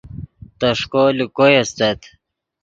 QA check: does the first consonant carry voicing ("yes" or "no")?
no